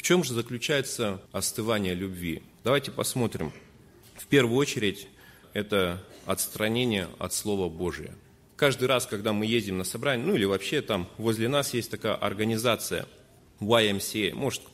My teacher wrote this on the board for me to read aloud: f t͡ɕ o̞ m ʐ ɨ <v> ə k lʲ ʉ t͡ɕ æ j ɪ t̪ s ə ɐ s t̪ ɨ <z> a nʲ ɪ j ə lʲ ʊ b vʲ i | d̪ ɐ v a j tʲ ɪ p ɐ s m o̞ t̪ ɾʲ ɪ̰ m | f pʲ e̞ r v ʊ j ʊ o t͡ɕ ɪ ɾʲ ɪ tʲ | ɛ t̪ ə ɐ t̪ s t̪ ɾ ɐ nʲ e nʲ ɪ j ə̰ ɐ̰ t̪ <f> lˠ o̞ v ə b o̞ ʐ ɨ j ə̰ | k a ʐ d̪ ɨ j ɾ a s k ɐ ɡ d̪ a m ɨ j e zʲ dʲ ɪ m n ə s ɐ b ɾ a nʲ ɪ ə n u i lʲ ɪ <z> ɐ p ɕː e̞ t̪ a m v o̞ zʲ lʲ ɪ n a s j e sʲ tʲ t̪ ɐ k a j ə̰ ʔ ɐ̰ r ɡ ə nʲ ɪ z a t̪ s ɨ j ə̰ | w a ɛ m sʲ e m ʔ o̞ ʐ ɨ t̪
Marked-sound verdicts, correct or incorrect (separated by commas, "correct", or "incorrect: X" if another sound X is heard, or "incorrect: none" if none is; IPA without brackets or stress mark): incorrect: z, incorrect: v, incorrect: s, incorrect: v